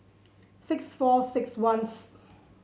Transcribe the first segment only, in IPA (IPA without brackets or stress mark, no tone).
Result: s